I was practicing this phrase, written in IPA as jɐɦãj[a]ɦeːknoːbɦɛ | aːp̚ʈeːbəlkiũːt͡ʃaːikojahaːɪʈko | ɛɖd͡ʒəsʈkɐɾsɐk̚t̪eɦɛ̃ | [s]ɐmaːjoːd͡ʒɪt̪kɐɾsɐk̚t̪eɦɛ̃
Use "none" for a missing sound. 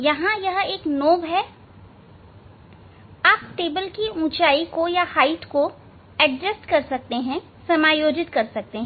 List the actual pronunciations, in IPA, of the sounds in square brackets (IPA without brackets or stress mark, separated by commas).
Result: ɐ, s